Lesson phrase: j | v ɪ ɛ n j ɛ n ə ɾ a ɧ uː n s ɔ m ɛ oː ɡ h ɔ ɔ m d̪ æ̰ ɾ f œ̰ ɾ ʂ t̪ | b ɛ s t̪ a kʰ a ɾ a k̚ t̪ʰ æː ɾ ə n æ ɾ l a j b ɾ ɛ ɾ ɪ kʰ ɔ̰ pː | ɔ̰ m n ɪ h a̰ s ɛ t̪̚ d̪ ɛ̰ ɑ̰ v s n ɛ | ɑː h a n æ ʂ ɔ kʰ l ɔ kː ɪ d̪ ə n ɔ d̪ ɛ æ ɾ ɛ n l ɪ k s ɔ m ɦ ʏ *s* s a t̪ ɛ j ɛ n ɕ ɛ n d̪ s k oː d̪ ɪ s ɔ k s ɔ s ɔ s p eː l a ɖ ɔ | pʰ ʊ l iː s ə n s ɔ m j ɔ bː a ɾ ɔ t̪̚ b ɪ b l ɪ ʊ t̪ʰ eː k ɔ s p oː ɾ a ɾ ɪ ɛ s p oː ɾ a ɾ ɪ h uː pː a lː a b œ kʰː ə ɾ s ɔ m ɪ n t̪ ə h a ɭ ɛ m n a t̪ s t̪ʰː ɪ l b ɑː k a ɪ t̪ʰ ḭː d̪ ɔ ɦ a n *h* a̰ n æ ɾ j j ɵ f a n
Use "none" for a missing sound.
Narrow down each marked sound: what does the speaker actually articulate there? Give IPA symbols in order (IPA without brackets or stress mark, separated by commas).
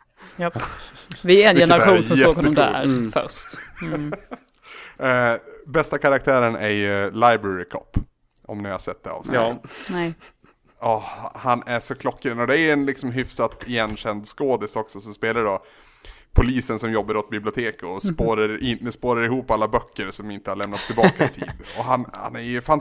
f, h